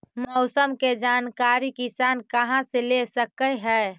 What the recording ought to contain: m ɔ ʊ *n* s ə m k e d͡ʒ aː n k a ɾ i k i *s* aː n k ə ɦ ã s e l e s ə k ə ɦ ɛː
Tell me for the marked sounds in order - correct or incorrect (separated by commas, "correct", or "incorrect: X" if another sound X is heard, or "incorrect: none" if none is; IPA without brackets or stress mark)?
incorrect: none, correct